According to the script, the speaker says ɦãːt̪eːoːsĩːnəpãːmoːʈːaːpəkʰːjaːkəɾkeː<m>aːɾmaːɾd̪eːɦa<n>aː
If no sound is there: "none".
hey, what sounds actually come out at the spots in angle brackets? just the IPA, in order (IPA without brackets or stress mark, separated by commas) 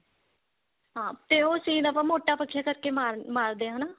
m, n